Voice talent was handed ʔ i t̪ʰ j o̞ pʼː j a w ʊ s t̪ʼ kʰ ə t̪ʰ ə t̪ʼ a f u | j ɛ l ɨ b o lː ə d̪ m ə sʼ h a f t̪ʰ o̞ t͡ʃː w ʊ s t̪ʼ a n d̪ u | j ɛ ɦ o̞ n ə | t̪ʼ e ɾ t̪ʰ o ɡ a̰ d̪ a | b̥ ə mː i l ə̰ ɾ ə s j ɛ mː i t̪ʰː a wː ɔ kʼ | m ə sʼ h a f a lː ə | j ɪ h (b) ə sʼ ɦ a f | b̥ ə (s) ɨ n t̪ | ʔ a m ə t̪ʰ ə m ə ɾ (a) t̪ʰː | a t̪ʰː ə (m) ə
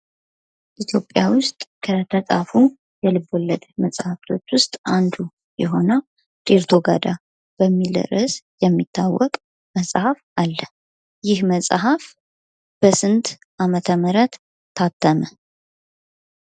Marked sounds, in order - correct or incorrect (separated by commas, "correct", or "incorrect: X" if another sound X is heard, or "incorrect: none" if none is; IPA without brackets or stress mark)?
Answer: incorrect: m, correct, incorrect: ə, correct